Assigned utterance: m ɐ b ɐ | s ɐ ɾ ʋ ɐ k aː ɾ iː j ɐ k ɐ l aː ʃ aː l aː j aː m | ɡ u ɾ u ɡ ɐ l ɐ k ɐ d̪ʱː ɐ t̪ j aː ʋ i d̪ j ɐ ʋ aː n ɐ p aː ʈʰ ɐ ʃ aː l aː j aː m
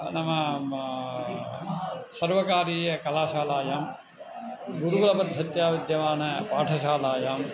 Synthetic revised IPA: n ɐ m ɐ | s ɐ ɾ ʋ ɐ k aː ɾ iː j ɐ k ɐ l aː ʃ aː l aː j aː m | ɡ u ɾ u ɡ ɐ l ɐ p ɐ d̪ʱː ɐ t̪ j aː ʋ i d̪ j ɐ ʋ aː n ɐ p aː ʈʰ ɐ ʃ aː l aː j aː m